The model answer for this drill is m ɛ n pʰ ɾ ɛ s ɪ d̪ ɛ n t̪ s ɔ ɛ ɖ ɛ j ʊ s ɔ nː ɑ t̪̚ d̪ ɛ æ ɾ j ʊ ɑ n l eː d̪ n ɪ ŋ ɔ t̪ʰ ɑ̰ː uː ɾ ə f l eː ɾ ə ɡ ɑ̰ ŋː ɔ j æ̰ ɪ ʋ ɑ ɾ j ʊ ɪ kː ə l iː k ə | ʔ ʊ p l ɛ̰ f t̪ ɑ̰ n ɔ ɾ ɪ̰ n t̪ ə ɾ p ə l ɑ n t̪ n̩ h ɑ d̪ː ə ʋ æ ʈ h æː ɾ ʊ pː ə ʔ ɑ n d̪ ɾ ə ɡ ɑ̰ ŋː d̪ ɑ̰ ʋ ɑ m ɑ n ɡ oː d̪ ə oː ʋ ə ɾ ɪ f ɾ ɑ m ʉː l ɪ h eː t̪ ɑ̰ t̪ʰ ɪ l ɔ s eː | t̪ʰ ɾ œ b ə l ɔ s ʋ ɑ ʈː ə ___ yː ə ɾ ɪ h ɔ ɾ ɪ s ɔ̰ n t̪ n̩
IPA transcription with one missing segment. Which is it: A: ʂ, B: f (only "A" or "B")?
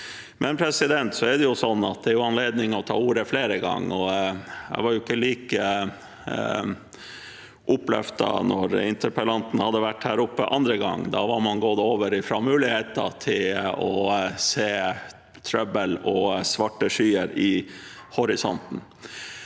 A